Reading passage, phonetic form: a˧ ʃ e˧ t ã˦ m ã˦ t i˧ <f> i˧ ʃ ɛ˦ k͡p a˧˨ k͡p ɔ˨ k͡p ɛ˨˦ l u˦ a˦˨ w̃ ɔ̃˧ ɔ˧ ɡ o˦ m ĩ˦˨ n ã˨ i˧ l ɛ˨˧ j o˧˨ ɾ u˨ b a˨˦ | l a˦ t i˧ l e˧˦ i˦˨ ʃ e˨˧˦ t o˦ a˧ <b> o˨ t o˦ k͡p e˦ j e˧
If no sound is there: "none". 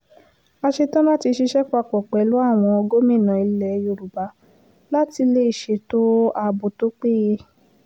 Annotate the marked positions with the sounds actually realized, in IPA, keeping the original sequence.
ʃ, b

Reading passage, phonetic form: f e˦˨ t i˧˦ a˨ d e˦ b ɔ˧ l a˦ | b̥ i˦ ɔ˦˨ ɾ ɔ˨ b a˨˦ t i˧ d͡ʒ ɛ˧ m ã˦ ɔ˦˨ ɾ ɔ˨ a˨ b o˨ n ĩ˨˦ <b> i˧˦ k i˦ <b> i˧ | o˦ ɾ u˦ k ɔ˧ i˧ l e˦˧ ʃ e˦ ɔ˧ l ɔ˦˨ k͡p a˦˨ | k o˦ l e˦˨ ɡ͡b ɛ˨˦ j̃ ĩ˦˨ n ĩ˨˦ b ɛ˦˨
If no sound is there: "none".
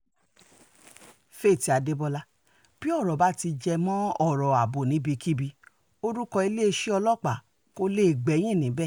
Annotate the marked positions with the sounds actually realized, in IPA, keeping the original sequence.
b, b

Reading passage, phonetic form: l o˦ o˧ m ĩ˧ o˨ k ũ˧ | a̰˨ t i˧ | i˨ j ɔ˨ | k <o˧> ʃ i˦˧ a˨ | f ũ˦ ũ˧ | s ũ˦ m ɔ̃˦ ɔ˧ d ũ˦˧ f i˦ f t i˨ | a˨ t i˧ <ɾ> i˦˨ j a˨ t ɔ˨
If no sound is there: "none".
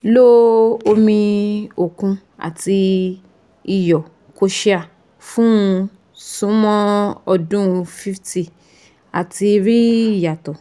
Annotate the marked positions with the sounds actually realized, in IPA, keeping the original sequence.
o˧, ɾ

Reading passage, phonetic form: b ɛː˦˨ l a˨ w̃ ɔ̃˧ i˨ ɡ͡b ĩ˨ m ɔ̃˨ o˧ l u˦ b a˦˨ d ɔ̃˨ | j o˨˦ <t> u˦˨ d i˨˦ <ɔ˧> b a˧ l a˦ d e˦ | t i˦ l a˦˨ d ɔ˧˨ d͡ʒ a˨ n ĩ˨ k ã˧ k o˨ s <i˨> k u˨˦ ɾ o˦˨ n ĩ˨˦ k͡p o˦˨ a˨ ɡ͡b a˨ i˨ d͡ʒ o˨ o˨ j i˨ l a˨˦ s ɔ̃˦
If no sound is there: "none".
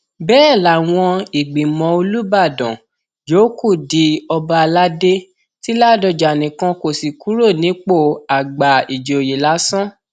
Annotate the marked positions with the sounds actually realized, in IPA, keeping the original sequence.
k, ɔ˧, i˨

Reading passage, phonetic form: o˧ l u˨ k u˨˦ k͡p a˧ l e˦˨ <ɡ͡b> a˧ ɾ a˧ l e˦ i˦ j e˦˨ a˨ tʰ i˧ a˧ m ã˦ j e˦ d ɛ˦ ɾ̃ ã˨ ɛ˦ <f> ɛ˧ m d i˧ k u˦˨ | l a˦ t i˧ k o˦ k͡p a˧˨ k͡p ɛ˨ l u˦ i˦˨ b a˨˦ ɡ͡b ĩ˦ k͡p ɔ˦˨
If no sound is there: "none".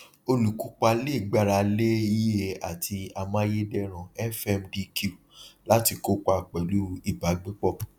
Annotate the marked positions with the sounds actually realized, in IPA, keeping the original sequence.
ɡ͡b, f

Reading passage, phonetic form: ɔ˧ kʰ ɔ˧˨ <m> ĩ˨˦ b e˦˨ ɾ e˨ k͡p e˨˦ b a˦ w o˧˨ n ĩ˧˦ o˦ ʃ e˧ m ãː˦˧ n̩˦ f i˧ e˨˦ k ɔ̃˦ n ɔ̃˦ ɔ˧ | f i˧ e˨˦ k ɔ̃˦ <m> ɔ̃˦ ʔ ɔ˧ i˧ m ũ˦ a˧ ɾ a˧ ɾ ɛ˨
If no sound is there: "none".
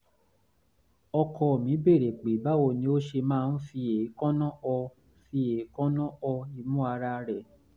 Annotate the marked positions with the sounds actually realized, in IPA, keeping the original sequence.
m, n

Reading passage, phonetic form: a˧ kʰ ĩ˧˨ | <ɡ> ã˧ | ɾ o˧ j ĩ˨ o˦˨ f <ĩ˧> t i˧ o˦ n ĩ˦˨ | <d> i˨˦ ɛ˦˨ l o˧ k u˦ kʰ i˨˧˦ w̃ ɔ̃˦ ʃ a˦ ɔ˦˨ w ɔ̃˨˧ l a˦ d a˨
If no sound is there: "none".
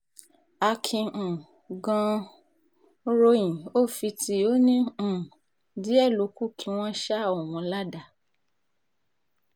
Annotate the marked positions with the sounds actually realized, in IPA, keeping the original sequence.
ɡ, i˧, d

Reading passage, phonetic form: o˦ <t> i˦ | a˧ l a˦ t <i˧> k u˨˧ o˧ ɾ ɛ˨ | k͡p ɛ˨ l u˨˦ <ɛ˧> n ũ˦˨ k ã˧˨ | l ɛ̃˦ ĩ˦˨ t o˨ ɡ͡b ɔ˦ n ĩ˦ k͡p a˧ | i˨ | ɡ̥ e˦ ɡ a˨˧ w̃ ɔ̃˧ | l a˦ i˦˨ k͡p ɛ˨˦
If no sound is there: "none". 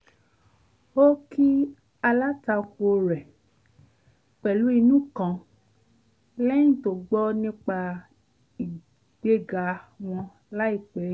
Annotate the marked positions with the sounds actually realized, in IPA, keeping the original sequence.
k, a˧, i˧

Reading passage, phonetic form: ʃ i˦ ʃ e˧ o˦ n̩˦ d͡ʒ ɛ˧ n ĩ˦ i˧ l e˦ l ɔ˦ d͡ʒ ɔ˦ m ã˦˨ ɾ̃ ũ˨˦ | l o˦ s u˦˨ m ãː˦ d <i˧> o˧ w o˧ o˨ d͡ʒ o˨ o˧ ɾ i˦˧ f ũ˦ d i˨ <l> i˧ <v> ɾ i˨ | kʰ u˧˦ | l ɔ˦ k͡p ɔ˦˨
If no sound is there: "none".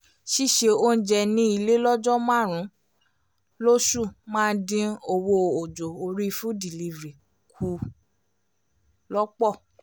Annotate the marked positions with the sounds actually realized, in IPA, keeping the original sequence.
ĩ˧, l, v

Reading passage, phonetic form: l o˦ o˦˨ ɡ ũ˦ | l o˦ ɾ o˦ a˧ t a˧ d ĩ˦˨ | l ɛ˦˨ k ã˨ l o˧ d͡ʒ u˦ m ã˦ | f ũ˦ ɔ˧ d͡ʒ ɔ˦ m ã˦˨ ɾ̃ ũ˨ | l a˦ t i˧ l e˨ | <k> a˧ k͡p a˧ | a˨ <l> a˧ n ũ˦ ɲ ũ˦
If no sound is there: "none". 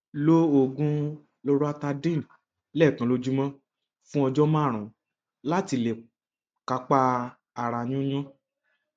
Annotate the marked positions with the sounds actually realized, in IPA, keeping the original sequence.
k, ɾ

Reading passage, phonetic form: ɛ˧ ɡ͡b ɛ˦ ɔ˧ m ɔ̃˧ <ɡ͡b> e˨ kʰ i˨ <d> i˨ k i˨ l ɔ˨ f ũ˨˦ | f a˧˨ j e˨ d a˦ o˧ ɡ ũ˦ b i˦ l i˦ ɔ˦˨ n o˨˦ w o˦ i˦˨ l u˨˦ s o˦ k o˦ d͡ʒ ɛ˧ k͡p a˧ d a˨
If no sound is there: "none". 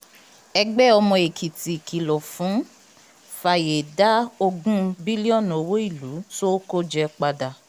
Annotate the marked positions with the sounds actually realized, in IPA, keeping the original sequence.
none, t

